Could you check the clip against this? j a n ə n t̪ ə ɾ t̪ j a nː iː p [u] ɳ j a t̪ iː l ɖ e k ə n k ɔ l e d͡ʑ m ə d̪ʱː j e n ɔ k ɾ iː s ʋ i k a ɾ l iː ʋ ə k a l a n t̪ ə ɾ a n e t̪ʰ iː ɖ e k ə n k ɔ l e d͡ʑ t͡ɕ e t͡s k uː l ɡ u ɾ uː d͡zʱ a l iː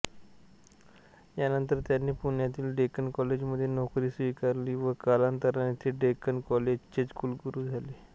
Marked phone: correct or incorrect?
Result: correct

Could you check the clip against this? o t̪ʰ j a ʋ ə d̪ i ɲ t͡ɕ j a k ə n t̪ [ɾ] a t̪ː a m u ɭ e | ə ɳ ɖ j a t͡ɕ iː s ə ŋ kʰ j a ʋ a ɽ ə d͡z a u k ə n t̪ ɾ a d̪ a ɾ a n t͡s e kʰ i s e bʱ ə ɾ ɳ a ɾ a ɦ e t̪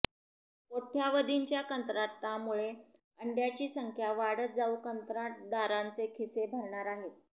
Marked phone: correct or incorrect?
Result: correct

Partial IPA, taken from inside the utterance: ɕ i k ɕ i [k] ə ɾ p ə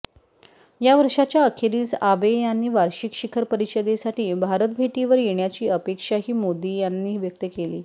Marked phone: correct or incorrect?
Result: incorrect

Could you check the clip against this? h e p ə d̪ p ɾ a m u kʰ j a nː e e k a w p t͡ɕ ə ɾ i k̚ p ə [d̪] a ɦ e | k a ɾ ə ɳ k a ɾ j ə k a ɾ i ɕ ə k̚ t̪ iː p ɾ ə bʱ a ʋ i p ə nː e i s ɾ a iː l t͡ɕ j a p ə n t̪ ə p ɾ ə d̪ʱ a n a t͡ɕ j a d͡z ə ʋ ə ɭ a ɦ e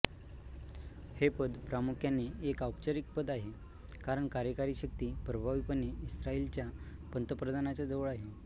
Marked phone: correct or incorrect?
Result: correct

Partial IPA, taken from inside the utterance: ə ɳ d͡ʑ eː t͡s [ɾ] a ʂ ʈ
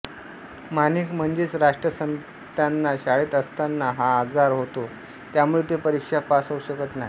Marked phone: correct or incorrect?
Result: correct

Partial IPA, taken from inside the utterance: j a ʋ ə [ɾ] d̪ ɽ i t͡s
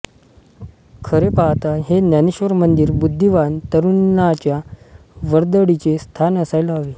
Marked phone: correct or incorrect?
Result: correct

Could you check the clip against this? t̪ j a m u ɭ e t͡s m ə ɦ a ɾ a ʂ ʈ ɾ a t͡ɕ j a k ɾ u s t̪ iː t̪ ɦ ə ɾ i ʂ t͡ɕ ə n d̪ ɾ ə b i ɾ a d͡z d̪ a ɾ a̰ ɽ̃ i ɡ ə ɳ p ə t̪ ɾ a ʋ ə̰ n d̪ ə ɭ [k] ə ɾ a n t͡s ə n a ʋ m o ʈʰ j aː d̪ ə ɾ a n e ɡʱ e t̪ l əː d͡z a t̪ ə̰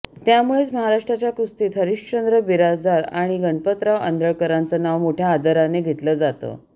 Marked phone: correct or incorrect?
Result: correct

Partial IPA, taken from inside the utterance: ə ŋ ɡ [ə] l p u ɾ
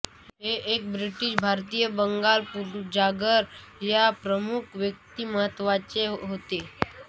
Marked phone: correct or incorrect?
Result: incorrect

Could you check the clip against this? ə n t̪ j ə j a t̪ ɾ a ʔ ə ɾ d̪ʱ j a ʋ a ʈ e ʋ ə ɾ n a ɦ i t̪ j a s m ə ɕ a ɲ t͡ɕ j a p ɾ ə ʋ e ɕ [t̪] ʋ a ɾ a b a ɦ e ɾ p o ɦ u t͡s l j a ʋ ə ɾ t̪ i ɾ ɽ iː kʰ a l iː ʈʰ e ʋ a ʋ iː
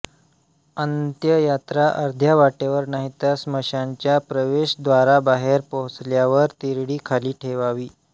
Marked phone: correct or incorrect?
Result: incorrect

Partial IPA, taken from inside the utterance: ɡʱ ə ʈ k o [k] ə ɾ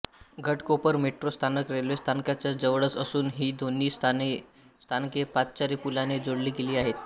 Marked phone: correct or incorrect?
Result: incorrect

